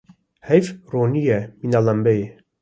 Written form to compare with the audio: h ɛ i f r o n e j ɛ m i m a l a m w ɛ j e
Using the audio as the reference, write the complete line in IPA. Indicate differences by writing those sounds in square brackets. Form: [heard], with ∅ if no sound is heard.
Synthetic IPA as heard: h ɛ [j] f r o n [i] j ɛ m i [n] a l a m [b] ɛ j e